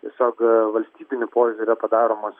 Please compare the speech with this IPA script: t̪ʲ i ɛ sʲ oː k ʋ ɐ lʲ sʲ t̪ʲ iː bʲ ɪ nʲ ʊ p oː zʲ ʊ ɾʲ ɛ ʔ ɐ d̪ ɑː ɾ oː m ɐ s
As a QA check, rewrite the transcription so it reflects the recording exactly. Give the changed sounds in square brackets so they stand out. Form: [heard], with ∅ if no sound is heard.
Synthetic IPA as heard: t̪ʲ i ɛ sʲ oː k ʋ ɐ lʲ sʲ t̪ʲ iː bʲ ɪ nʲ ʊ p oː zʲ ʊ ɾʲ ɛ [p] ɐ d̪ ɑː ɾ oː m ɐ s

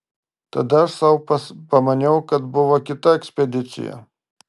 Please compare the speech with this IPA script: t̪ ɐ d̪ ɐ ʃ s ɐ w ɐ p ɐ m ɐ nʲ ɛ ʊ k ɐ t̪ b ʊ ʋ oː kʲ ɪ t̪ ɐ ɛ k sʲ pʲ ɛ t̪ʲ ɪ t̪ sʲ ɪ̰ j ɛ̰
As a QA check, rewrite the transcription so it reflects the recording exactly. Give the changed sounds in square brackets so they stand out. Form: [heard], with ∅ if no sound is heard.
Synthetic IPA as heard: t̪ ɐ d̪ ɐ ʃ s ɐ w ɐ p ɐ m ɐ nʲ ɛ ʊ k ɐ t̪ b ʊ ʋ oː kʲ ɪ t̪ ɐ ɛ k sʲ pʲ ɛ [d̪ʲ] ɪ t̪ sʲ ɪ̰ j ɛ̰

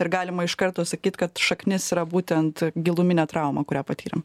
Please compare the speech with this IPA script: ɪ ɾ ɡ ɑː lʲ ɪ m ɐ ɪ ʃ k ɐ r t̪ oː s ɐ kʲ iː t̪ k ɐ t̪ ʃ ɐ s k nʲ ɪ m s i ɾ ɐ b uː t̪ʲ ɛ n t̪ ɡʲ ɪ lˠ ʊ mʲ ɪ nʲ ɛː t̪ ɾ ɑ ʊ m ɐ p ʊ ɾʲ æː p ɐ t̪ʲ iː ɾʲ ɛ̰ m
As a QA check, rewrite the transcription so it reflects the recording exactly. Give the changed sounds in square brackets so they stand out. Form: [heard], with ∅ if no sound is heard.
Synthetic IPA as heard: ɪ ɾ ɡ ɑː lʲ ɪ m ɐ ɪ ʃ k ɐ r t̪ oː s ɐ kʲ iː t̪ k ɐ t̪ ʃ ɐ [∅] k nʲ ɪ [∅] s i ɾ ɐ b uː t̪ʲ ɛ n t̪ ɡʲ ɪ lˠ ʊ mʲ ɪ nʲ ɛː t̪ ɾ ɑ ʊ m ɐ [k] ʊ ɾʲ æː p ɐ t̪ʲ iː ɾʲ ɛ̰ m

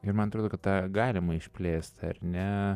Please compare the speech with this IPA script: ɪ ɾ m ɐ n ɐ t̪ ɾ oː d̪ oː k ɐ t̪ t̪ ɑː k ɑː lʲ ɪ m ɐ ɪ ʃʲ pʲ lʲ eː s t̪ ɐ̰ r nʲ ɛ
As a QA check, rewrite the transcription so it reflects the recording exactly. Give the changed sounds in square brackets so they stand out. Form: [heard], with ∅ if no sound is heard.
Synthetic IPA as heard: ɪ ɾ m ɐ n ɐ t̪ ɾ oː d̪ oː k ɐ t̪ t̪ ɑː [ɡ] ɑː lʲ ɪ m ɐ ɪ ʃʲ pʲ lʲ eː s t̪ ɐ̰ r nʲ ɛ

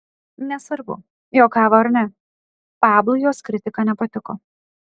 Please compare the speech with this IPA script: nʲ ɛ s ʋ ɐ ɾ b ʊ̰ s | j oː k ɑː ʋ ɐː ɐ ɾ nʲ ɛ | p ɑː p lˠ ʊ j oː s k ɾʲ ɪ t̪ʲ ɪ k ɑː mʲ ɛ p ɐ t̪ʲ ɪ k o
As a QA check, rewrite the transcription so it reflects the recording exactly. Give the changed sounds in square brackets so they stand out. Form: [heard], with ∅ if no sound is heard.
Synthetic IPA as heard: nʲ ɛ s ʋ ɐ ɾ b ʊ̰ [∅] | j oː k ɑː ʋ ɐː ɐ ɾ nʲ ɛ | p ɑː [b] lˠ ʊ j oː s k ɾʲ ɪ t̪ʲ ɪ k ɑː [nʲ] ɛ p ɐ t̪ʲ ɪ k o

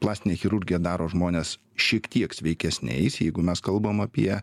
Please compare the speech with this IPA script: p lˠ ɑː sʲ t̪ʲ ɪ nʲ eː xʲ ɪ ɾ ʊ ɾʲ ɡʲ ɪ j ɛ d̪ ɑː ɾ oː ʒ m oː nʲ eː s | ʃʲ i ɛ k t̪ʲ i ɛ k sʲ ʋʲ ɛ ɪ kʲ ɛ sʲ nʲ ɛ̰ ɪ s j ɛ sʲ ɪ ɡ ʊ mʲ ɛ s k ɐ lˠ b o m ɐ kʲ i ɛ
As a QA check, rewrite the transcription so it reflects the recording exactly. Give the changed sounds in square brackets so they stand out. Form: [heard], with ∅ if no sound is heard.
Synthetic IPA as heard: p lˠ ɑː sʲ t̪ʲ ɪ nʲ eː xʲ ɪ ɾ ʊ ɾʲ ɡʲ ɪ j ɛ d̪ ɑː ɾ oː ʒ m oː nʲ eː s | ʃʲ i ɛ k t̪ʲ i ɛ k sʲ ʋʲ ɛ ɪ kʲ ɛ sʲ nʲ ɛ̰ ɪ s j ɛ [∅] ɪ ɡ ʊ mʲ ɛ s k ɐ lˠ b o m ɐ [pʲ] i ɛ

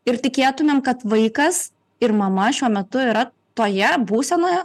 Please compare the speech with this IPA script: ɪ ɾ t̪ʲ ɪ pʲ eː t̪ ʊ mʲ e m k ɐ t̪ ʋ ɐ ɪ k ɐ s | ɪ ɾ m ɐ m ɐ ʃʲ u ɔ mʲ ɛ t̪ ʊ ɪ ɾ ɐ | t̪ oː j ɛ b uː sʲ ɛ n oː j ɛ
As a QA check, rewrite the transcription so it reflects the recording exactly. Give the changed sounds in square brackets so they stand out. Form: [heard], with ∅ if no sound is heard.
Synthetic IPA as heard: ɪ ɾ t̪ʲ ɪ [kʲ] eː t̪ ʊ mʲ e m k ɐ t̪ ʋ ɐ ɪ k ɐ s | ɪ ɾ m ɐ m ɐ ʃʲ u ɔ mʲ ɛ t̪ ʊ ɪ ɾ ɐ | t̪ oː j ɛ b uː sʲ ɛ n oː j ɛ

